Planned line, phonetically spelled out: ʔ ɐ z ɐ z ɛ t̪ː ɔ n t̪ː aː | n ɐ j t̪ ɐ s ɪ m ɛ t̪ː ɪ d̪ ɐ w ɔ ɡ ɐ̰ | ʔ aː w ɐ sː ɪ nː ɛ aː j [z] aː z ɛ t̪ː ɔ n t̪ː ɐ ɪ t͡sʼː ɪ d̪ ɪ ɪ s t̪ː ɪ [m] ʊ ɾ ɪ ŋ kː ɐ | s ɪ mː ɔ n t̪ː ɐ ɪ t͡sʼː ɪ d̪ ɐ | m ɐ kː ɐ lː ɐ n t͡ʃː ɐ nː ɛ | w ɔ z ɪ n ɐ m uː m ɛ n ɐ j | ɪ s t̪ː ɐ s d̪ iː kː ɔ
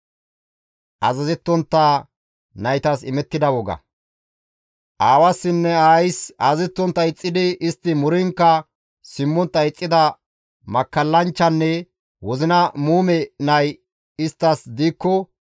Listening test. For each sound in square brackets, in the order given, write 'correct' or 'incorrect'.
incorrect, correct

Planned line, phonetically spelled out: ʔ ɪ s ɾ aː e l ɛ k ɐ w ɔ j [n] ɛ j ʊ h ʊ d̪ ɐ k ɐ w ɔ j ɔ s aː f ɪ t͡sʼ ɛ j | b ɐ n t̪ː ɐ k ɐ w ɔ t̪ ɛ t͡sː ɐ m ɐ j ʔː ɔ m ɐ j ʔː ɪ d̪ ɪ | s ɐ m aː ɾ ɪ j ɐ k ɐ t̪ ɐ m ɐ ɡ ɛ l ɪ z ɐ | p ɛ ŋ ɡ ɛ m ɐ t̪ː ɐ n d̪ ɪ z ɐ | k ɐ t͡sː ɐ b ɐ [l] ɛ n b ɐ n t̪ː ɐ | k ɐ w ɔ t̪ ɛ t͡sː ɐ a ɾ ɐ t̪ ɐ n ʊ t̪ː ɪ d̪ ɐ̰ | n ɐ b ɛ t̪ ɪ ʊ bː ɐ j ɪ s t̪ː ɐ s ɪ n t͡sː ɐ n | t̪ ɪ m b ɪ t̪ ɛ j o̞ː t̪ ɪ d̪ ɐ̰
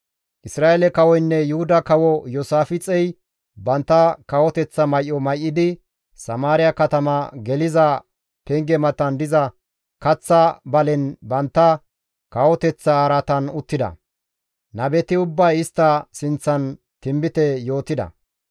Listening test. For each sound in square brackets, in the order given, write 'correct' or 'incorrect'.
incorrect, correct

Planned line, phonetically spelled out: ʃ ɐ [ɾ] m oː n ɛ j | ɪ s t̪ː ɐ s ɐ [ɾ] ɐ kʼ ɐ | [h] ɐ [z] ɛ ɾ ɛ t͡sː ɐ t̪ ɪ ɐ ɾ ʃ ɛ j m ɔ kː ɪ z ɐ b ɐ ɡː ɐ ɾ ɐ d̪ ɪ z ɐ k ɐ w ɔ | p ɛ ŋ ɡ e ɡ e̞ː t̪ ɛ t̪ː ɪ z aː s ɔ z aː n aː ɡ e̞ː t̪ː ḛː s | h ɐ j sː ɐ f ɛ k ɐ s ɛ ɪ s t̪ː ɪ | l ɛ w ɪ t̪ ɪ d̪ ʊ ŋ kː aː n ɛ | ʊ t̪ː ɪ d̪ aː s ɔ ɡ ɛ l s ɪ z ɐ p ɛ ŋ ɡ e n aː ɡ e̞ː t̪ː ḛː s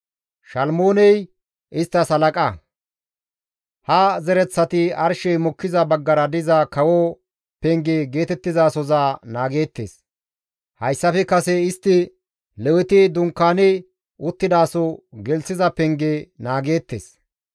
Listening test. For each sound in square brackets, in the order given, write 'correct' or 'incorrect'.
incorrect, incorrect, correct, correct

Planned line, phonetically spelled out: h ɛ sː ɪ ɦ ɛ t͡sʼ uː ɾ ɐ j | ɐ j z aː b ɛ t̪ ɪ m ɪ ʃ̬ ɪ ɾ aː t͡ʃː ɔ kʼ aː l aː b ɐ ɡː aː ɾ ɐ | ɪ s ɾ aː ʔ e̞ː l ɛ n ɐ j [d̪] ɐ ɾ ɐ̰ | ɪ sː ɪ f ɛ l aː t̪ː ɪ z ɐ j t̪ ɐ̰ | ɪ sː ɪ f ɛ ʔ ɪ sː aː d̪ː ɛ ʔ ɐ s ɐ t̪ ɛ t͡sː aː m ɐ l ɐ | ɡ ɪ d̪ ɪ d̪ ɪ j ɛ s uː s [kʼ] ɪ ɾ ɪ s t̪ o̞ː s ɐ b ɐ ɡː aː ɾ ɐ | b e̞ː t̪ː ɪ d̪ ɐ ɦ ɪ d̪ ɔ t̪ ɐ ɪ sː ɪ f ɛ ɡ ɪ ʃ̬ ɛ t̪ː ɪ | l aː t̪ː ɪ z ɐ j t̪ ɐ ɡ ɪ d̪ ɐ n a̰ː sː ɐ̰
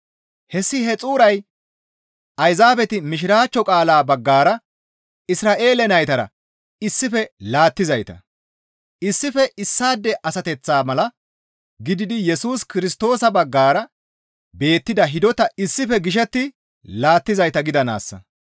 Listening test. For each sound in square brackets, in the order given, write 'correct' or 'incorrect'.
incorrect, incorrect

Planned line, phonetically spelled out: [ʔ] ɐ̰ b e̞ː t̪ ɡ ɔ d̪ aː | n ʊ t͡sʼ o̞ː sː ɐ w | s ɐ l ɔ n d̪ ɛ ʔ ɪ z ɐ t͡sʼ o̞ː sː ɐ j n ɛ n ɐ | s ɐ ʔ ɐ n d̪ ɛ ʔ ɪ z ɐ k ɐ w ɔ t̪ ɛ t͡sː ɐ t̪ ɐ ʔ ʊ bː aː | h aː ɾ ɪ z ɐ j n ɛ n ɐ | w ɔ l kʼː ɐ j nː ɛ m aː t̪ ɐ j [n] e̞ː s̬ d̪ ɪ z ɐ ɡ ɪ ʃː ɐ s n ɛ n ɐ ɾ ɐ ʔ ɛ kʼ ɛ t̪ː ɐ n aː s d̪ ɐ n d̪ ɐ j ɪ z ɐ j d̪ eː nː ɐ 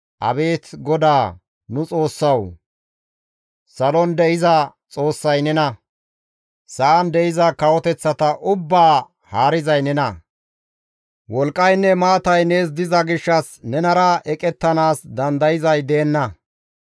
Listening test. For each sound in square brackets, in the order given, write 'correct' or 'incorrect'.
correct, correct

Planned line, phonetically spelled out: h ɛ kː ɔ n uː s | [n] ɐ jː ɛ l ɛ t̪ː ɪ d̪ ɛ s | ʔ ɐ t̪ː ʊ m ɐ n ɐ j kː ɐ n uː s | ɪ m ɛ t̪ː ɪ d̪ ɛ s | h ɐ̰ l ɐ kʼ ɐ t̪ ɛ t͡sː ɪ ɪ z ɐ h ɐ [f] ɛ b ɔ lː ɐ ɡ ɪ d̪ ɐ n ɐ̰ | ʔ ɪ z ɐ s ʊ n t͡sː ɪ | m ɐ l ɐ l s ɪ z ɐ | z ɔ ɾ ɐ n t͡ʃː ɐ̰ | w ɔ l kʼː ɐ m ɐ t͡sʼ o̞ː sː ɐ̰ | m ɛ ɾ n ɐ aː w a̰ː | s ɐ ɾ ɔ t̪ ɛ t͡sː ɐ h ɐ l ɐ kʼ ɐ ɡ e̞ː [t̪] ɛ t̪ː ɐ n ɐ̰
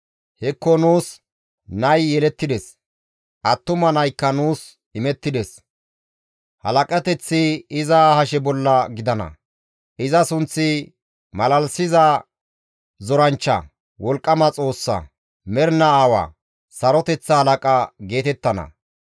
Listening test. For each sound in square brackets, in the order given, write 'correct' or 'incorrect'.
correct, incorrect, correct

